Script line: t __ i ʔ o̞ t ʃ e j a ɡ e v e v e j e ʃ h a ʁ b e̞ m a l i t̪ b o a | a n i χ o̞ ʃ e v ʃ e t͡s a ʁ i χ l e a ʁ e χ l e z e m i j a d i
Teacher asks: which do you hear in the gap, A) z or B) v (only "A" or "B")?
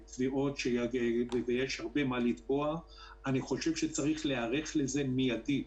B